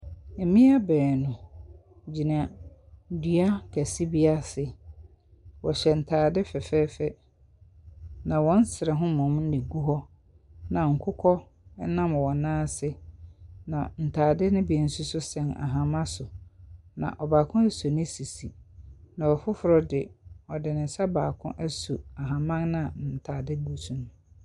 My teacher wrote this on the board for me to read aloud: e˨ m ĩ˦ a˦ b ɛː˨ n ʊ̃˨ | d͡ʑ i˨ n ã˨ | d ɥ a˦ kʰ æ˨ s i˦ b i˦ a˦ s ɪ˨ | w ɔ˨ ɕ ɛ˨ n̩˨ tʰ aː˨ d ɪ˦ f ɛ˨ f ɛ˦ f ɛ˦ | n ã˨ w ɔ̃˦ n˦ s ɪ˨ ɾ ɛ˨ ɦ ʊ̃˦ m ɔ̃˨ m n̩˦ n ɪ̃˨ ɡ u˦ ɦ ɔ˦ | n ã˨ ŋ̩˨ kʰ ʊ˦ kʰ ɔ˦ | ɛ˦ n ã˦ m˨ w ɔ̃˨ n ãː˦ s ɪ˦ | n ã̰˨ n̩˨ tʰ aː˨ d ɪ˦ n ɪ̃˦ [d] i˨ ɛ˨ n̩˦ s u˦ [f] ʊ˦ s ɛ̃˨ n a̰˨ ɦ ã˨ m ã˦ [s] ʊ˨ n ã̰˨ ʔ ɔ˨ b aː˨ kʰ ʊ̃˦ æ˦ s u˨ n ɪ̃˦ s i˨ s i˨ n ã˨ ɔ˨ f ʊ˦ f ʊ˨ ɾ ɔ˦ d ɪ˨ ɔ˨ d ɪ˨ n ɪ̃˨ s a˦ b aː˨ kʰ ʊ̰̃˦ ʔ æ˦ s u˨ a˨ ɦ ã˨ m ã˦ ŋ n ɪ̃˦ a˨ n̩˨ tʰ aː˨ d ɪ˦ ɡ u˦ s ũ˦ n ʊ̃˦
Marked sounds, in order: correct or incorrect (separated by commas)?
incorrect, incorrect, correct